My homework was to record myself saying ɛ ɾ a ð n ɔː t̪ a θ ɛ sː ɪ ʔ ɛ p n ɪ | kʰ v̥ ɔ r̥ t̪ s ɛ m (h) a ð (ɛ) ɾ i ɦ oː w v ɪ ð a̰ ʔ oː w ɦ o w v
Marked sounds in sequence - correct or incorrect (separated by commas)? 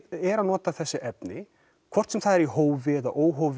incorrect, correct